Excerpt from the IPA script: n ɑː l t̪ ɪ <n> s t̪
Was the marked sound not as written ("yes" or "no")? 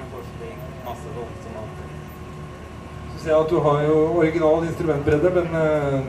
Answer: no